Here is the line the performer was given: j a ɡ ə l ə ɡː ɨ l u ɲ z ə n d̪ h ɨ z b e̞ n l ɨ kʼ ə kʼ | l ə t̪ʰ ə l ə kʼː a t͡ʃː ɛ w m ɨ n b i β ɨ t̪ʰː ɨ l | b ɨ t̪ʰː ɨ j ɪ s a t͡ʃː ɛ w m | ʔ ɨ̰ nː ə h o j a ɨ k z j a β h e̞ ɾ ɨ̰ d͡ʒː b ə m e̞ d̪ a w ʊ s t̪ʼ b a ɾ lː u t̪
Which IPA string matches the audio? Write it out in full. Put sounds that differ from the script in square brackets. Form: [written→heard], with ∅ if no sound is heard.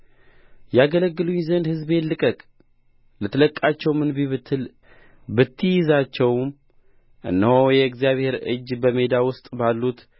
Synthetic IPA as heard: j a ɡ ə l ə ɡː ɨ l u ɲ z ə n d̪ h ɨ z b e̞ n l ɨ kʼ ə kʼ | l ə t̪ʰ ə l ə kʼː a t͡ʃː ɛ w m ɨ n b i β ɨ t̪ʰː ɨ l | b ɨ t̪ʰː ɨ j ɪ [s→z] a t͡ʃː ɛ w m | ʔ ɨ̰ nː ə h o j [a→ɛ] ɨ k z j a β h e̞ ɾ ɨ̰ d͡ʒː b ə m e̞ d̪ a w ʊ s t̪ʼ b a [ɾ→∅] lː u t̪